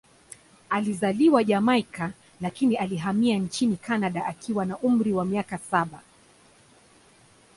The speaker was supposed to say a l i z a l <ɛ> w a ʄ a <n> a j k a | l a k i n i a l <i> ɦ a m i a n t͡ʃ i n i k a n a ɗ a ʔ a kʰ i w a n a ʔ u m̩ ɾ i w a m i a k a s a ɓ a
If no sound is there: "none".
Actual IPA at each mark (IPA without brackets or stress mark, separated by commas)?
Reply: i, m, i